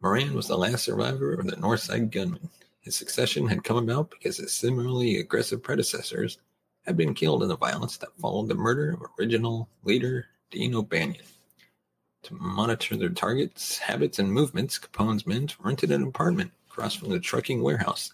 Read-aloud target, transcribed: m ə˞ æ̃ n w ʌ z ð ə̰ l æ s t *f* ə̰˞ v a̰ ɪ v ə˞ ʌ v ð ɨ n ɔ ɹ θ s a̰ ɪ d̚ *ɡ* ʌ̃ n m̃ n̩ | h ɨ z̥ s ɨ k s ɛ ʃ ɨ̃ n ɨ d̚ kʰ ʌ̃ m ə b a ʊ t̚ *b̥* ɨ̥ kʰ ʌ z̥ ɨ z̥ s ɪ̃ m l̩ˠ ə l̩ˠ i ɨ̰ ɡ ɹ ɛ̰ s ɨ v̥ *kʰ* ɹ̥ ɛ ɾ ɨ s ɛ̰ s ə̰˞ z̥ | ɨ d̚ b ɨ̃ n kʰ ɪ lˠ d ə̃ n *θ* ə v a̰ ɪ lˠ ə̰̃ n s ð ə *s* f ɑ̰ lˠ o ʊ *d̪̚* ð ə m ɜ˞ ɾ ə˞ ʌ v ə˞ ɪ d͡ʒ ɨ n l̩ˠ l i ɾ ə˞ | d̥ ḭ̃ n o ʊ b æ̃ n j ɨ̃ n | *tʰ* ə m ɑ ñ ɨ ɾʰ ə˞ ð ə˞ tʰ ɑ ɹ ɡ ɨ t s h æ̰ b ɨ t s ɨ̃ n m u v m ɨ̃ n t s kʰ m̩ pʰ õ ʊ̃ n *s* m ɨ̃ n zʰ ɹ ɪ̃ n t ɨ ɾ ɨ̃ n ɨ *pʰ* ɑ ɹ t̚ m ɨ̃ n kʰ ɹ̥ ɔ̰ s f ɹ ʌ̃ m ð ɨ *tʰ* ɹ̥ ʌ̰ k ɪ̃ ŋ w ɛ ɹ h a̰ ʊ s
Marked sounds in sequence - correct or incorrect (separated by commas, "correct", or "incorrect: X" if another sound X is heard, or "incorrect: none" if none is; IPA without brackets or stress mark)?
incorrect: s, correct, correct, incorrect: pʰ, incorrect: ð, incorrect: t, correct, correct, incorrect: z, correct, correct